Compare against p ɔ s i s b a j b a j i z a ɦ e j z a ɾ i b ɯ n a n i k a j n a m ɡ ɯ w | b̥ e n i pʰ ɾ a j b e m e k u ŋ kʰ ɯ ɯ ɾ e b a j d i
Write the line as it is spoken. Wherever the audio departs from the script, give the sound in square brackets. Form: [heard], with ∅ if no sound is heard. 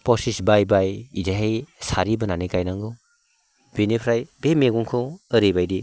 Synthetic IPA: p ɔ s i s b a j b a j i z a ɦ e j [s] a ɾ i b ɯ n a n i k a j n a [ŋ] ɡ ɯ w | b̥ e n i pʰ ɾ a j b e m e [ɡ] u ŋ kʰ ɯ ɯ ɾ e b a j d i